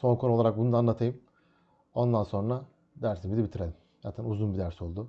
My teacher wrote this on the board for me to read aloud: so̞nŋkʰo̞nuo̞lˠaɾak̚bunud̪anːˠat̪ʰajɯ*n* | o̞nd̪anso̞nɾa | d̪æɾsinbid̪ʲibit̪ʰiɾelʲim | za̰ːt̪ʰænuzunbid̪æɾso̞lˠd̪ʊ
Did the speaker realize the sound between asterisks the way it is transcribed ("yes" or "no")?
no